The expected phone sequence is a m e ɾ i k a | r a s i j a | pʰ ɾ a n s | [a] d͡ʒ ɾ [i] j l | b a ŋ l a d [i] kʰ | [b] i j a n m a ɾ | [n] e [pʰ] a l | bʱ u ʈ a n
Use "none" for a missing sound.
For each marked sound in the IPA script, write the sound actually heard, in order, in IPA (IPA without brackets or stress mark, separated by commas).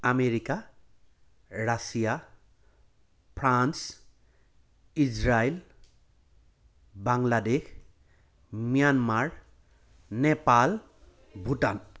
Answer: i, a, e, m, n, p